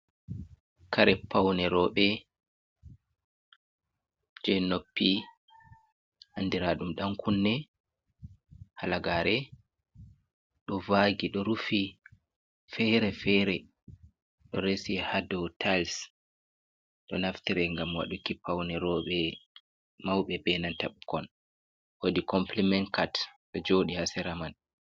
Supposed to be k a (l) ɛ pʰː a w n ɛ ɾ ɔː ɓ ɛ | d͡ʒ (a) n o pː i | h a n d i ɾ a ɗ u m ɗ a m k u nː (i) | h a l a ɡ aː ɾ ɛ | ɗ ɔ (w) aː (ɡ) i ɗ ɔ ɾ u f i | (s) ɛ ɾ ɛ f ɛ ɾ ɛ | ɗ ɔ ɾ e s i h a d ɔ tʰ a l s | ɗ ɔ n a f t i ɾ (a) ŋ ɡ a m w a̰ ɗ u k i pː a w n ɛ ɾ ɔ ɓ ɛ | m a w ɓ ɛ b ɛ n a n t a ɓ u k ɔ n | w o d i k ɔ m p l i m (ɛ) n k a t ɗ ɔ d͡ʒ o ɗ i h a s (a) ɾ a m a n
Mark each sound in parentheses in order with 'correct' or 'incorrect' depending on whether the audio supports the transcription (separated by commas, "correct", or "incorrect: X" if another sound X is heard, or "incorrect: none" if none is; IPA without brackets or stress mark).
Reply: incorrect: ɾ, incorrect: ɛ, incorrect: ɛ, incorrect: v, correct, incorrect: f, incorrect: ɛ, correct, incorrect: ɛ